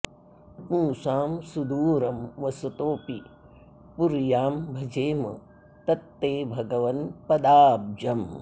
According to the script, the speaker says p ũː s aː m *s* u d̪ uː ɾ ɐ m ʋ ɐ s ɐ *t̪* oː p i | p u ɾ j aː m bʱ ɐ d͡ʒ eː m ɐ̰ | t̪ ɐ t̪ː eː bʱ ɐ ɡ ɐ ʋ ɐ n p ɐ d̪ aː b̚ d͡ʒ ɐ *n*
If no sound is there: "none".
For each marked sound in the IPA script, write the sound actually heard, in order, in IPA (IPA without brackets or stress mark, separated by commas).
s, t̪, m